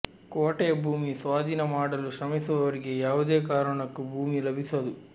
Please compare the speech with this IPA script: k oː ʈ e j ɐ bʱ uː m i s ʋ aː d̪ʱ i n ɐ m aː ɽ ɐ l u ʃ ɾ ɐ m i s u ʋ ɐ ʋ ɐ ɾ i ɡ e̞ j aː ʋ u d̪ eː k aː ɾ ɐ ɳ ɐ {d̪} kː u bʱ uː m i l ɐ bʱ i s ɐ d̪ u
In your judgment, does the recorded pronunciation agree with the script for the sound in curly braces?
no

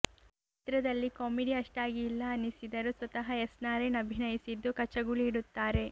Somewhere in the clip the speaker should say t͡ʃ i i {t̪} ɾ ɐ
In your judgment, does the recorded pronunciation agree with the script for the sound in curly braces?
yes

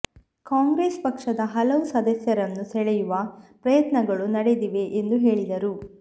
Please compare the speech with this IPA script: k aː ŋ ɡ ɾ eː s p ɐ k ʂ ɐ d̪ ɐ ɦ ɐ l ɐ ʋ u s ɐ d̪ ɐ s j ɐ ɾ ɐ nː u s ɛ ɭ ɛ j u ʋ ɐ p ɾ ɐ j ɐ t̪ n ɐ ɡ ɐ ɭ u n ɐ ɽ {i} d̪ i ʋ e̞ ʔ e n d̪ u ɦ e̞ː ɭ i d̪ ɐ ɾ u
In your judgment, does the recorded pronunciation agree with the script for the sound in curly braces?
no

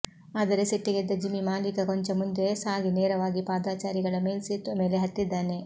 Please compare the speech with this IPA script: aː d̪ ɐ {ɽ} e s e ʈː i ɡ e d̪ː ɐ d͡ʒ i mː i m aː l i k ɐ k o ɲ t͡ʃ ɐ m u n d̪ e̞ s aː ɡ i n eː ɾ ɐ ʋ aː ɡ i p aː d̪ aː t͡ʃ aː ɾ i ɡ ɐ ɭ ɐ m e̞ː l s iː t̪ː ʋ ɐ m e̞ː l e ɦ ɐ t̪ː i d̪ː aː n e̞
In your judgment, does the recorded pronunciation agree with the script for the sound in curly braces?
no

